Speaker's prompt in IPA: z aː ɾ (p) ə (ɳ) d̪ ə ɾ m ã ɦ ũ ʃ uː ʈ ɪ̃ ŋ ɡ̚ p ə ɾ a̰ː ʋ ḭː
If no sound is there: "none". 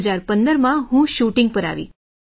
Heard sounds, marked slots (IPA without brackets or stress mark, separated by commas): p, n